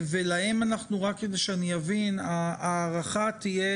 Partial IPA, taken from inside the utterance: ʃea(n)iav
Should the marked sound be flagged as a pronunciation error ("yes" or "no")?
no